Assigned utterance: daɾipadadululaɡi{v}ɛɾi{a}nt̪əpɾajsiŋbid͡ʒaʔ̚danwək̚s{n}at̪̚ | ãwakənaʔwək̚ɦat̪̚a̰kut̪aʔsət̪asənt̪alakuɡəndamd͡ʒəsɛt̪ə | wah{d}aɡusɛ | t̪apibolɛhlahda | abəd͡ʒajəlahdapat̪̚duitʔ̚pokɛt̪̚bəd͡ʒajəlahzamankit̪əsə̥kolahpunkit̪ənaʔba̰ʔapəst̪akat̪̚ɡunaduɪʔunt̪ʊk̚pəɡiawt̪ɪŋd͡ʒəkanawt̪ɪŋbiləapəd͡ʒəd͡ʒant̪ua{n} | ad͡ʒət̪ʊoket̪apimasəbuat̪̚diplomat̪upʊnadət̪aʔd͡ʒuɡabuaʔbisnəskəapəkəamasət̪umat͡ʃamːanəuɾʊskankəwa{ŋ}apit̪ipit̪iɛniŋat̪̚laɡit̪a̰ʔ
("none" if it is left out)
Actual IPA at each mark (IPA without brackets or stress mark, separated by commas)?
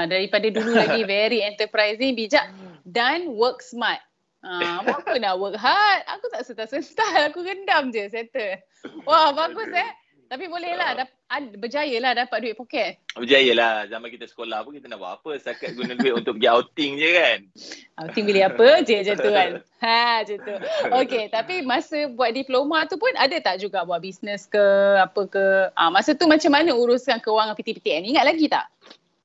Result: v, ɛ, m, b, n, ŋ